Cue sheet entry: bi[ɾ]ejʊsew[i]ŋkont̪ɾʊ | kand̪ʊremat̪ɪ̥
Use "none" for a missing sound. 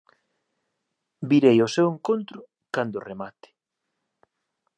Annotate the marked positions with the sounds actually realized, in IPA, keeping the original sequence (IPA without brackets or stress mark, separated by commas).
ɾ, e